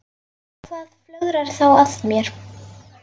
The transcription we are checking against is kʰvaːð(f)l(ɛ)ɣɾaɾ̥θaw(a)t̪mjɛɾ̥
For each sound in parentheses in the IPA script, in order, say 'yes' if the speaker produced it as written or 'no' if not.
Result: yes, no, yes

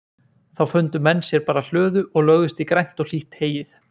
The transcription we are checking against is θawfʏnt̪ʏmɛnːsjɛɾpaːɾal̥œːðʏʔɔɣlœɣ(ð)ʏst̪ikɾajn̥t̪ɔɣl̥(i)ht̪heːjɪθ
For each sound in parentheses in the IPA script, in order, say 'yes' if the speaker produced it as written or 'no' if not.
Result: yes, yes

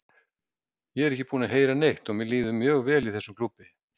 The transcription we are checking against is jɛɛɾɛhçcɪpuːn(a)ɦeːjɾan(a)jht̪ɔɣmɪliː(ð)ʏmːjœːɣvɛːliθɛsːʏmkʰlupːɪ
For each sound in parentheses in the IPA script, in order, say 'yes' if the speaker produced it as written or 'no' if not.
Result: yes, no, yes

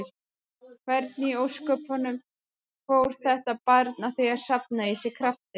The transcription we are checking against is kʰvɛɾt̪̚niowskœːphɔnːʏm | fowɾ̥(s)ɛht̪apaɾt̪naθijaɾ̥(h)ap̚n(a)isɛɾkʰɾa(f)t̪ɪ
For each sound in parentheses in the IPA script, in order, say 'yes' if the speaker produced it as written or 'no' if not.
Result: no, no, yes, yes

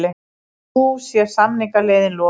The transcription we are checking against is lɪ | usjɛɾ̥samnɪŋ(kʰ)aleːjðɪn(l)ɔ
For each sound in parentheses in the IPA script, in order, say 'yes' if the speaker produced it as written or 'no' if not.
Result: no, yes

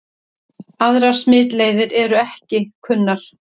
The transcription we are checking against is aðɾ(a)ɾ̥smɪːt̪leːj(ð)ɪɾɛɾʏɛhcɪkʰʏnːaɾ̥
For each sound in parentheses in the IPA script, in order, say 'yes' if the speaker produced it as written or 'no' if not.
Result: yes, yes

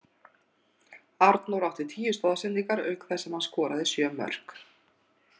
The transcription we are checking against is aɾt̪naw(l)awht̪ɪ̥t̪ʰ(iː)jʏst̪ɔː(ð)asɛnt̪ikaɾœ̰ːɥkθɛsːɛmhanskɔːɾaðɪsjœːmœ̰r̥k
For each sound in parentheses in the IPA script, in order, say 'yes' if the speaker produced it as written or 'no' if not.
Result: no, yes, yes

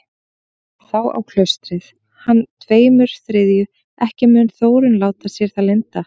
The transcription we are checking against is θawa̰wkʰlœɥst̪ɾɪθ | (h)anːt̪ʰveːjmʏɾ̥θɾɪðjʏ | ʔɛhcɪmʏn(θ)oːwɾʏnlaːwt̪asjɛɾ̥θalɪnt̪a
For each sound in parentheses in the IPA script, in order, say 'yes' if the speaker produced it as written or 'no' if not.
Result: yes, yes

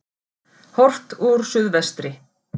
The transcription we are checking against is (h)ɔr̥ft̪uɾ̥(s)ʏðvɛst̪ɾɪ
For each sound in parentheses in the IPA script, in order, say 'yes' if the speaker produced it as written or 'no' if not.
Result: yes, yes

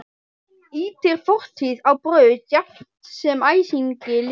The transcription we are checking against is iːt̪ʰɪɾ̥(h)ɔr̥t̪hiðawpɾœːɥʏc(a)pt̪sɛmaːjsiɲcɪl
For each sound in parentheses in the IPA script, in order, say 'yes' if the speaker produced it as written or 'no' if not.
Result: no, yes

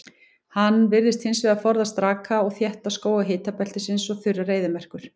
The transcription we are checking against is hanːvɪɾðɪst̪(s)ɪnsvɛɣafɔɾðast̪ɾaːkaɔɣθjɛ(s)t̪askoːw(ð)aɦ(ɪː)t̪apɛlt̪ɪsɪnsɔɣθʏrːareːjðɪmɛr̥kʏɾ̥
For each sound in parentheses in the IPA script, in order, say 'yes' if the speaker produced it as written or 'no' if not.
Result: no, no, no, yes

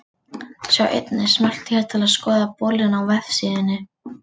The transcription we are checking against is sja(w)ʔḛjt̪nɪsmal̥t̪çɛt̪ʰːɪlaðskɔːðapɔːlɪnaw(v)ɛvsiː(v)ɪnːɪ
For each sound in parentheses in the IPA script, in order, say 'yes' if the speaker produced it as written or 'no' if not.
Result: yes, yes, no

